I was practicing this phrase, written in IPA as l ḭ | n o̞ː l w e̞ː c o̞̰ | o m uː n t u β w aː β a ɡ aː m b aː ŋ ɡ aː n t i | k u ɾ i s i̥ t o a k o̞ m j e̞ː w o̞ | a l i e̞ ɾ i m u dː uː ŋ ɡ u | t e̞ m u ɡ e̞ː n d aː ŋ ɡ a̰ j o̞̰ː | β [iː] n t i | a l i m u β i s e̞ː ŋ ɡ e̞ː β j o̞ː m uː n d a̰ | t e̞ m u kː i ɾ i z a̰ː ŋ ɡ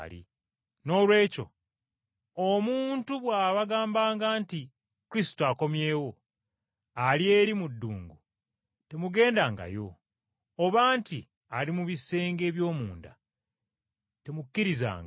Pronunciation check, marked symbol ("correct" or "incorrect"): incorrect